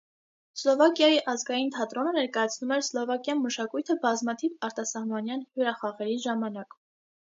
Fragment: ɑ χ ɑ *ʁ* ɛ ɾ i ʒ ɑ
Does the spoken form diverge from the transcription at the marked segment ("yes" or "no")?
no